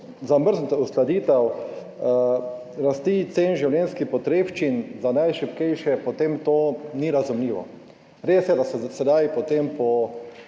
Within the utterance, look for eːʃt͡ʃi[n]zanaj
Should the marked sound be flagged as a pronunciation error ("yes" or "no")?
no